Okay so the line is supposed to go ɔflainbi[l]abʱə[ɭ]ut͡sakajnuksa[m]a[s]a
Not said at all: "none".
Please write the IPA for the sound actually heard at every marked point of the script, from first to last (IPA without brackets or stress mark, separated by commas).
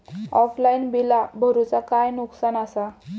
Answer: l, ɾ, n, s